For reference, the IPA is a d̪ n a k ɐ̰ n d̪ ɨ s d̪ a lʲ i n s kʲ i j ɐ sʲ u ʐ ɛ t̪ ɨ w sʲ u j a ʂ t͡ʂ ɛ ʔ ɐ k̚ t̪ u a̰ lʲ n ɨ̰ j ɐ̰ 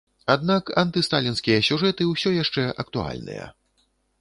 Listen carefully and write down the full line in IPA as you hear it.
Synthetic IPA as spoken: a d̪ n a k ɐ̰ n t̪ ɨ s t̪ a lʲ i n s kʲ i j ɐ sʲ u ʐ ɛ t̪ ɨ w sʲ ɔ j a ʂ t͡ʂ ɛ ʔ ɐ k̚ t̪ u a̰ lʲ n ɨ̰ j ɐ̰